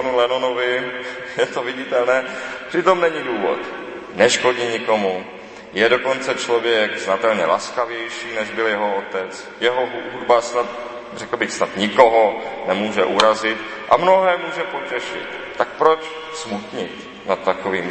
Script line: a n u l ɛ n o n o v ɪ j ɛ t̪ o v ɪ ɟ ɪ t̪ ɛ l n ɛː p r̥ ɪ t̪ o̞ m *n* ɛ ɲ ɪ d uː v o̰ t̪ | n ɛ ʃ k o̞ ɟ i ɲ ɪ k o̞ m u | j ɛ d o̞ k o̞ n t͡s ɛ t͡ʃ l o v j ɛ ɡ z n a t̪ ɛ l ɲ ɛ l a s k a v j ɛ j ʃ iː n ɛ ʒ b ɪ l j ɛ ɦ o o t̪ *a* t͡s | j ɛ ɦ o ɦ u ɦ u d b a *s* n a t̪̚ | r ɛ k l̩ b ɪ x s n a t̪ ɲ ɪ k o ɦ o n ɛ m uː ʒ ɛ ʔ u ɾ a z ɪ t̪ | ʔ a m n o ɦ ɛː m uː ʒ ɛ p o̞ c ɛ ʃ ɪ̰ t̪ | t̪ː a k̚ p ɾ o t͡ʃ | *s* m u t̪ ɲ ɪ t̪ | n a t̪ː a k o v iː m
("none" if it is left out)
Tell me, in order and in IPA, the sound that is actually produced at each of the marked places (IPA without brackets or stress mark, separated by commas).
n, ɛ, s, s